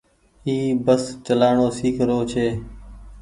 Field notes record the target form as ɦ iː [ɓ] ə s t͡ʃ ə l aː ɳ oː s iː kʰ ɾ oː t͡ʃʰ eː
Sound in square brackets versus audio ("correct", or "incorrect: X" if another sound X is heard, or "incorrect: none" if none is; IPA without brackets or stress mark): incorrect: b